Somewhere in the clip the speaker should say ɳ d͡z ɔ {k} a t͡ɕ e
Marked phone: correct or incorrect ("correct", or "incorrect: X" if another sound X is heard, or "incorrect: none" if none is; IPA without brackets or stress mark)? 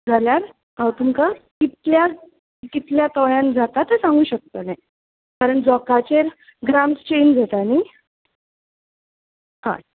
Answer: correct